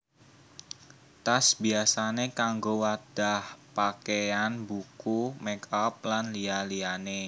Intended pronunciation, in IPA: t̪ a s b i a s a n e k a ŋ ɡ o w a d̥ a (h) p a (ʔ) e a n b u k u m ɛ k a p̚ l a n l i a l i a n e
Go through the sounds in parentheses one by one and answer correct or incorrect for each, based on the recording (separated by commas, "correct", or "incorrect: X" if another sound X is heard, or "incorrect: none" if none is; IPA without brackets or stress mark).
correct, incorrect: k